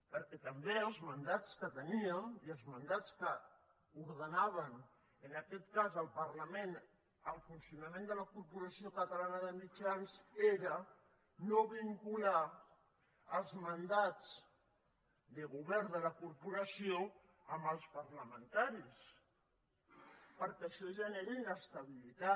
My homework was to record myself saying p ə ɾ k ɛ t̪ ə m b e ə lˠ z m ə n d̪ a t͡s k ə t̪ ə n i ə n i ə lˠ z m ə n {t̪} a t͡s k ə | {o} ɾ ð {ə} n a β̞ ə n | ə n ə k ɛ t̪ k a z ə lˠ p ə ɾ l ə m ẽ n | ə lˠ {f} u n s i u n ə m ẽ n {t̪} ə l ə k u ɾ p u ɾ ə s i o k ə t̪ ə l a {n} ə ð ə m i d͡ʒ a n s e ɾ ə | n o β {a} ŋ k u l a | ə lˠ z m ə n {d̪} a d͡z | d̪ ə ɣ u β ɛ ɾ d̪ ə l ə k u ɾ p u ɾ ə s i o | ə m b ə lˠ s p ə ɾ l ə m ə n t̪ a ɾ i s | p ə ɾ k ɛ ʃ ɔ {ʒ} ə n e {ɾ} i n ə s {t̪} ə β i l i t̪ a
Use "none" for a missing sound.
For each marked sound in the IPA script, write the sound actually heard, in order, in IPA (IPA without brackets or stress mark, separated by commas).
d̪, u, ə, f, d̪, n, i, d̪, ʒ, ɾ, t̪